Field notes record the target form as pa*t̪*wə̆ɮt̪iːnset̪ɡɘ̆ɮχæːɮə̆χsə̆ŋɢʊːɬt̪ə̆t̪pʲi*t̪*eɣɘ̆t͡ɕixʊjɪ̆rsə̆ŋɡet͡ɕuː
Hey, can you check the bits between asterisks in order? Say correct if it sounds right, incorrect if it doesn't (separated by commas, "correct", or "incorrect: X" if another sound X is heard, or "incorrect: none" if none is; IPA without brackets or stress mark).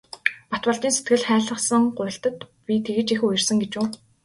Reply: correct, incorrect: t̪ʰ